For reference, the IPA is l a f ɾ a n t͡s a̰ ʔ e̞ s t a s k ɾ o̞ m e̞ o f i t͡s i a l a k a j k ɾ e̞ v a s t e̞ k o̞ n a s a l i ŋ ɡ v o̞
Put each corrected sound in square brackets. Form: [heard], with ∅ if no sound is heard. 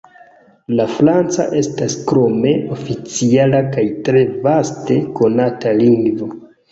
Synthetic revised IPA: l a f ɾ a n t͡s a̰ ʔ e̞ s t a s k ɾ o̞ m e̞ o f i t͡s i a l a k a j [t] ɾ e̞ v a s t e̞ k o̞ n a [t] a l i ŋ ɡ v o̞